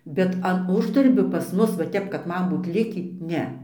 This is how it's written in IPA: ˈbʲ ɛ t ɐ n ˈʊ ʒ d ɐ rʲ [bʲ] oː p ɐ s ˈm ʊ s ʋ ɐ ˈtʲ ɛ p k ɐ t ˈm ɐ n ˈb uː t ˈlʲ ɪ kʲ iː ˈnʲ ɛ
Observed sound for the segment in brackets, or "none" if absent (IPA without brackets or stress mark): bʲ